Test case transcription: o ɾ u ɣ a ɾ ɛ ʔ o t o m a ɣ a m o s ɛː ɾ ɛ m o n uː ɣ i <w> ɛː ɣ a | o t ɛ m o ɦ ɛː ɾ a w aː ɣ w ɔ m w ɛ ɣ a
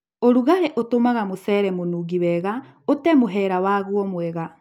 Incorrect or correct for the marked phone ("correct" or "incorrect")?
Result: correct